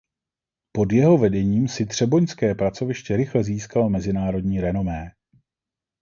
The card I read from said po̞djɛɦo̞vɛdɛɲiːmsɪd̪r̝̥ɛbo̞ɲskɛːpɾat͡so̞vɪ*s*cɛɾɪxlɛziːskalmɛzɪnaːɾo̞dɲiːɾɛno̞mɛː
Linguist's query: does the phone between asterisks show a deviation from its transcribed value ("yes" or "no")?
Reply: yes